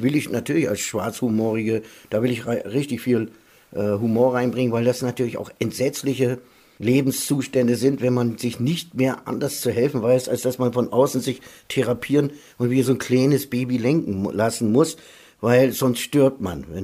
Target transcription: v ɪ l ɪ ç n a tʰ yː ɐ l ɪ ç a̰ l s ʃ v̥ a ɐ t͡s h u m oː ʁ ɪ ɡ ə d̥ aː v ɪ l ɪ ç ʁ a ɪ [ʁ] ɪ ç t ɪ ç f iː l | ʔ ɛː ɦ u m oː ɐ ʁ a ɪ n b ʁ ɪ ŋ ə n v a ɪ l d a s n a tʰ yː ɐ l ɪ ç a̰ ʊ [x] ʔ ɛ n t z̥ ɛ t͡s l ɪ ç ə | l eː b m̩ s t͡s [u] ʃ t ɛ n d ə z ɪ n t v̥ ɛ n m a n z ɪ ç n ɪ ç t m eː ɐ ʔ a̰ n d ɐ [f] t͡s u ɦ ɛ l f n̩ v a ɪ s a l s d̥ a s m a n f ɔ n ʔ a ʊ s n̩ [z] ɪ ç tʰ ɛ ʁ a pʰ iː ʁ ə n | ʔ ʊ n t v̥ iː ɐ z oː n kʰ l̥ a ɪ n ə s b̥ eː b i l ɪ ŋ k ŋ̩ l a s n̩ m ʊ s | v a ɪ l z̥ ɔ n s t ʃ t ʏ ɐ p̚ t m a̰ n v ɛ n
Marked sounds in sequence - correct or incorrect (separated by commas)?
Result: correct, correct, incorrect, incorrect, correct